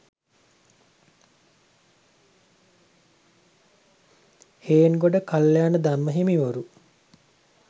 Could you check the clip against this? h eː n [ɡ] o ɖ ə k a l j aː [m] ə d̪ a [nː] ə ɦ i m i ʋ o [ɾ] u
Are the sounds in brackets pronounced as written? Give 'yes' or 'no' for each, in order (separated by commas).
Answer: yes, no, no, yes